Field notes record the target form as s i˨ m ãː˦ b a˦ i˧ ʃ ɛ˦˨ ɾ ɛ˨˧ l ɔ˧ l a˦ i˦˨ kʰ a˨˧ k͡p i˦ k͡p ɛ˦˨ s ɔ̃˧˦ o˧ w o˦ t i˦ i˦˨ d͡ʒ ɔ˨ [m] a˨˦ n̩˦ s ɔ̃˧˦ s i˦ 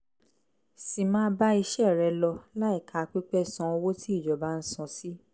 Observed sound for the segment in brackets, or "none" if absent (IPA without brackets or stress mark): b